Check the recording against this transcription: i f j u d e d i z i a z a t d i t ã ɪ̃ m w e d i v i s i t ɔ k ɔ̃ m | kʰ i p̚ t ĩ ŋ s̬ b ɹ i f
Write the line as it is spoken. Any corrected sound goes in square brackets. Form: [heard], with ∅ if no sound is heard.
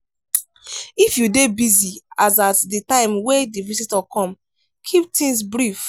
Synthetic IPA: i f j u d e [b] i z i a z a t d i t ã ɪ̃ m w e d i v i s i t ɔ k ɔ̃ m | kʰ i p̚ t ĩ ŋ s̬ b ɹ i f